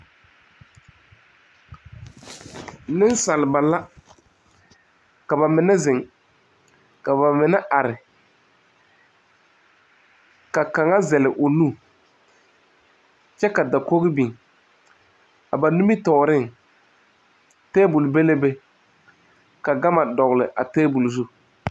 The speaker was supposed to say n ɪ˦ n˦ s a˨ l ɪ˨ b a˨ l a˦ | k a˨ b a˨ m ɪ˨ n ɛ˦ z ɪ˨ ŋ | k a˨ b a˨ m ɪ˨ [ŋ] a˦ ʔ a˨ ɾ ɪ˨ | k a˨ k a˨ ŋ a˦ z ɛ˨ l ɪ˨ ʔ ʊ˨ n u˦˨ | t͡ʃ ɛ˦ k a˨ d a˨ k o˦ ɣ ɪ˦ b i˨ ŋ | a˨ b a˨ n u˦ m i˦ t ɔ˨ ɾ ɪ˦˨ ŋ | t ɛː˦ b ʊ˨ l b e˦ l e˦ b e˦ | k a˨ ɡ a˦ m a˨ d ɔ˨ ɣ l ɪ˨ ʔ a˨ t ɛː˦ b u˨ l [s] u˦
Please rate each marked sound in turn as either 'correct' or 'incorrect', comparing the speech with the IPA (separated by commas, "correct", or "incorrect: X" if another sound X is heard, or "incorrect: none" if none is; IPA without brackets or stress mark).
incorrect: n, incorrect: z